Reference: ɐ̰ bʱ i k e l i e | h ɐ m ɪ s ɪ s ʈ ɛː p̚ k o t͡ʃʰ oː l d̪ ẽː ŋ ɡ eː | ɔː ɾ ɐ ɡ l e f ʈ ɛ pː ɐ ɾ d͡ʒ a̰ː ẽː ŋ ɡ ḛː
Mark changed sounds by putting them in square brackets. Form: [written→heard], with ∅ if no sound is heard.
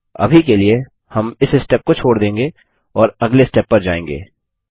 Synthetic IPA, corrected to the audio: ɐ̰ bʱ i k e l i e | h ɐ m ɪ s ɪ s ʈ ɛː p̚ k o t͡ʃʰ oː [l→ɽ] d̪ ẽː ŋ ɡ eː | ɔː ɾ ɐ ɡ l e [f→s] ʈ ɛ pː ɐ ɾ d͡ʒ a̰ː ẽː ŋ ɡ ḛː